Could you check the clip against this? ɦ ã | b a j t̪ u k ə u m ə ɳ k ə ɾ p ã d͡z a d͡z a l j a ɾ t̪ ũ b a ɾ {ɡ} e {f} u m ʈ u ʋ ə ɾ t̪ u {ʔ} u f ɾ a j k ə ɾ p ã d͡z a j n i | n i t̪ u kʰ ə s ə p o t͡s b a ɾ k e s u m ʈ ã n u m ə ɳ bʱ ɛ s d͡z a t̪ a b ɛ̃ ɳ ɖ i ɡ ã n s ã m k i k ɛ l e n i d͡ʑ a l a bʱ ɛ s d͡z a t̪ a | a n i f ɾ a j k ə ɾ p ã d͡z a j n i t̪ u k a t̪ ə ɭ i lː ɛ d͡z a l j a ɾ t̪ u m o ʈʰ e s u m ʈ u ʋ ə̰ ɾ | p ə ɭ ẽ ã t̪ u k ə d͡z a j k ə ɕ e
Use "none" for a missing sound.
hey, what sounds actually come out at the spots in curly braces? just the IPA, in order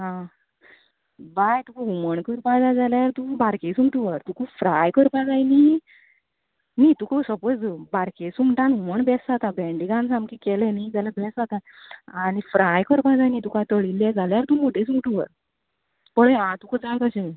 k, s, k

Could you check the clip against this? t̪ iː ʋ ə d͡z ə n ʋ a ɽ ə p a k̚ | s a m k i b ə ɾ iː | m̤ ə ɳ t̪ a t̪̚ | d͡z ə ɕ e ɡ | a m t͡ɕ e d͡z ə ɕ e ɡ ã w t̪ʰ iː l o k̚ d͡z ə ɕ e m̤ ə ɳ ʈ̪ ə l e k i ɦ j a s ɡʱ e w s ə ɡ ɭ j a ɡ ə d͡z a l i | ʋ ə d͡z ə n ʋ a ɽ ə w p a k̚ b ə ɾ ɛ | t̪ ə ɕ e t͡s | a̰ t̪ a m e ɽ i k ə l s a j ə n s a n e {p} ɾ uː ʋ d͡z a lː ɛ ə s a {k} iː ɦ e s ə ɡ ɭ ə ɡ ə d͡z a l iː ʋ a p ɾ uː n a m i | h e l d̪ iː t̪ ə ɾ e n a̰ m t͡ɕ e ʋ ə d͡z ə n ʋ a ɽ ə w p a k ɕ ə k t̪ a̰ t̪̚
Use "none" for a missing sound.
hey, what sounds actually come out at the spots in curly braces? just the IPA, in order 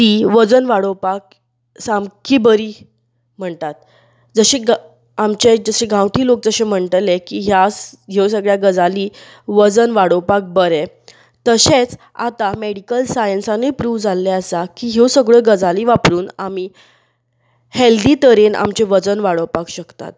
p, k

